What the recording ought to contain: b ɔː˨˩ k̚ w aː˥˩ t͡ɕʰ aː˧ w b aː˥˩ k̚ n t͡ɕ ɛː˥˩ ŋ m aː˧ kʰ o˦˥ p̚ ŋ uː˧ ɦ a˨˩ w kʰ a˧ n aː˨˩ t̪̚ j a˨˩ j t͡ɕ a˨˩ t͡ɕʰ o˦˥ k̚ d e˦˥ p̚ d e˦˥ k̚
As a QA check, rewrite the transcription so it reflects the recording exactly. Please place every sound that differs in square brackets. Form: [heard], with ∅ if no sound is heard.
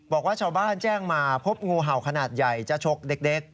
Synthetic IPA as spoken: b ɔː˨˩ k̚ w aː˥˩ t͡ɕʰ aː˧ w b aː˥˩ [∅] n t͡ɕ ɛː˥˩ ŋ m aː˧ [pʰ] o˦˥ p̚ ŋ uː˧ ɦ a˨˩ w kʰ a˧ n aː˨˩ t̪̚ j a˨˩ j t͡ɕ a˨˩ t͡ɕʰ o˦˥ k̚ d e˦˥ [k̚] d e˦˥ k̚